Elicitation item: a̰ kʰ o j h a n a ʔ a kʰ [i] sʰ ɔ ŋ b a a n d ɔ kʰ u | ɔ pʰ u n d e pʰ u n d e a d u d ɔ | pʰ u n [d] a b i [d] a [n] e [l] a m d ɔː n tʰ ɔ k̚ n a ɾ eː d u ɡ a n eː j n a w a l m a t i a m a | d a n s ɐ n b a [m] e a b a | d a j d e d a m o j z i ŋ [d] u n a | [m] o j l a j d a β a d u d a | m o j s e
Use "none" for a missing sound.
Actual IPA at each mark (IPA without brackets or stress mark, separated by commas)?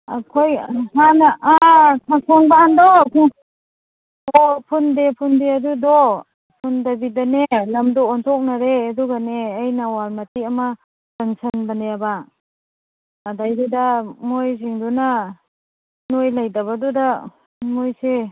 a, d, d, n, l, n, d, n